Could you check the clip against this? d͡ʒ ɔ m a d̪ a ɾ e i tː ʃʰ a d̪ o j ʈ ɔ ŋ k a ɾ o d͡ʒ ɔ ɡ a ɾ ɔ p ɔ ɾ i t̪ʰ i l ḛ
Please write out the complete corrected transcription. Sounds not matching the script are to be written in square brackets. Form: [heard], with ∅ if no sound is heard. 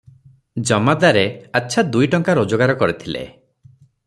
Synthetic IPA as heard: d͡ʒ ɔ m a d̪ a ɾ e [a] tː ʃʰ a d̪ [u] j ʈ ɔ ŋ k a ɾ o d͡ʒ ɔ ɡ a ɾ ɔ [k] ɔ ɾ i t̪ʰ i l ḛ